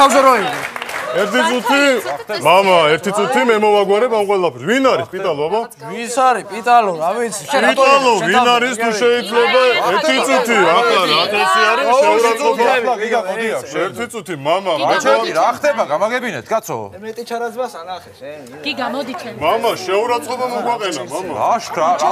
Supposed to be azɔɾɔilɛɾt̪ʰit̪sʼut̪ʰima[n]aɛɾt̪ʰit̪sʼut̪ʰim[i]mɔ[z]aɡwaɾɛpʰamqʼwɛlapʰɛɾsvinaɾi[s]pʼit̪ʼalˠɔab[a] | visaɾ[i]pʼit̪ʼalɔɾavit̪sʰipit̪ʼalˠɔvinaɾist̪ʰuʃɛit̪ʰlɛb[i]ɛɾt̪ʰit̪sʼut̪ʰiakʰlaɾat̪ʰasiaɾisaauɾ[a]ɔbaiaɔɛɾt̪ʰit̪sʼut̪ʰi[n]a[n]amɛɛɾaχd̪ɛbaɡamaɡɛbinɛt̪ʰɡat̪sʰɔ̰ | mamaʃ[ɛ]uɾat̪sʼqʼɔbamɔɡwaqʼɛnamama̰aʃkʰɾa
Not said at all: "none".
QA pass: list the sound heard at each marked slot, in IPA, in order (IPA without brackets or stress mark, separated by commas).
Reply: m, ɛ, v, s, a, i, a, a, m, m, ɛ